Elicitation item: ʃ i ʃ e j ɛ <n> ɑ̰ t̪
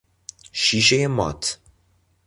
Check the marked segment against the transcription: incorrect: m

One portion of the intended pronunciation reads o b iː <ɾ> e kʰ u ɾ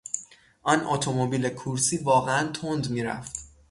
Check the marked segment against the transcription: incorrect: l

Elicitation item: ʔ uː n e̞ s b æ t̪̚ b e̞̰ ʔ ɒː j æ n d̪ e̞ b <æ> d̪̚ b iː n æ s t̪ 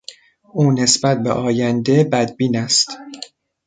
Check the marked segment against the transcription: correct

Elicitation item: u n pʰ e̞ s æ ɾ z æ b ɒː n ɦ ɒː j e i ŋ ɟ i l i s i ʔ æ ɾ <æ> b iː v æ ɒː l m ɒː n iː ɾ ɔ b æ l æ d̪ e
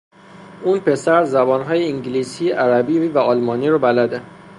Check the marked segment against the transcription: correct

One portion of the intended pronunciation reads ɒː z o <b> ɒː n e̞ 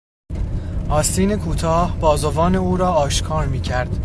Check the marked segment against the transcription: incorrect: v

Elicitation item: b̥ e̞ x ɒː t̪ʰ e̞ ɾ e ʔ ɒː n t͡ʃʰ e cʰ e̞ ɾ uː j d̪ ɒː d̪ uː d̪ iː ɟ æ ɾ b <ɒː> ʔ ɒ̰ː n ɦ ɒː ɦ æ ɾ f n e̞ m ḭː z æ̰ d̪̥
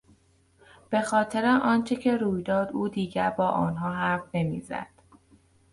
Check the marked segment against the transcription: correct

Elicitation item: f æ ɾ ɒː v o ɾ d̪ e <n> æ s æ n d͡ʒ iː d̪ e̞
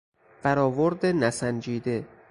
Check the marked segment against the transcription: correct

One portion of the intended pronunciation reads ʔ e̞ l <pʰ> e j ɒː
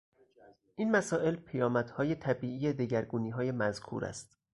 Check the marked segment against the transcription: correct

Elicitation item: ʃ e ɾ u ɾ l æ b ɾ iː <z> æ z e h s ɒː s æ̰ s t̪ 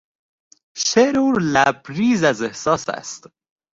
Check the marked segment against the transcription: correct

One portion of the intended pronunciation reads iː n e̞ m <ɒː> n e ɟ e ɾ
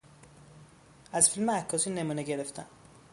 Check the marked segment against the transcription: incorrect: uː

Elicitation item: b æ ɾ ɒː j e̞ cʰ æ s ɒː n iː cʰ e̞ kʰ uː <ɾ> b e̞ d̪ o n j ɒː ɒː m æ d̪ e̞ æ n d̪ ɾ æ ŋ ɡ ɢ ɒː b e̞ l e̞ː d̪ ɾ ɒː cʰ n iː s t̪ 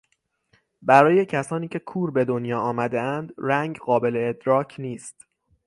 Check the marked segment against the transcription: correct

